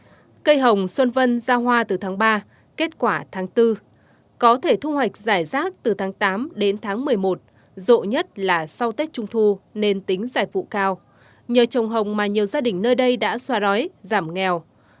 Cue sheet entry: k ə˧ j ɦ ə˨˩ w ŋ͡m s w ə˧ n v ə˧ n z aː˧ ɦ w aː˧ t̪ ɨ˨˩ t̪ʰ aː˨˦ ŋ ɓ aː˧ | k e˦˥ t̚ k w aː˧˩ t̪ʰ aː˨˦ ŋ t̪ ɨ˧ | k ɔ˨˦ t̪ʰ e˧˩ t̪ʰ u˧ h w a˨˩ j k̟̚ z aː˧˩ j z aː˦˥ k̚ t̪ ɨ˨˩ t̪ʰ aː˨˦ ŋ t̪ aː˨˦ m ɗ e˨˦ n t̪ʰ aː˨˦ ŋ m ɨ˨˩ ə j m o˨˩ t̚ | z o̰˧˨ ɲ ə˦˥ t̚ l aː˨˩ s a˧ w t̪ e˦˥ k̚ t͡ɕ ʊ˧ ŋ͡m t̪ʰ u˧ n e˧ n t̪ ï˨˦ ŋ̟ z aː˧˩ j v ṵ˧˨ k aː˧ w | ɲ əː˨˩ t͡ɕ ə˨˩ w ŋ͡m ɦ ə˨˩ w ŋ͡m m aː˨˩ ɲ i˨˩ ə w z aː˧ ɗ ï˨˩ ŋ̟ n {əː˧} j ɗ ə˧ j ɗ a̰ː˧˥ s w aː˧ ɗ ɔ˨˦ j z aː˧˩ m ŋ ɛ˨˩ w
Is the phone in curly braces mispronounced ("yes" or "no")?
no